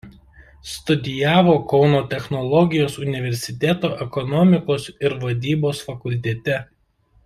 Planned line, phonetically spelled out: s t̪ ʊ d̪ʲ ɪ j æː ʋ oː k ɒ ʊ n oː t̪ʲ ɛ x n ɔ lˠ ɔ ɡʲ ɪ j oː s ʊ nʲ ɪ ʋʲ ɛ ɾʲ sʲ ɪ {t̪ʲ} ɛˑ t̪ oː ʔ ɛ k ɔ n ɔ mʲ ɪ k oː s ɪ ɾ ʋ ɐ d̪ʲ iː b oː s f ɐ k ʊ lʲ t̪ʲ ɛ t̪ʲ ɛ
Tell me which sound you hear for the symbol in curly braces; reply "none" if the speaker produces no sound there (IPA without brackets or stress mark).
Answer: t̪ʲ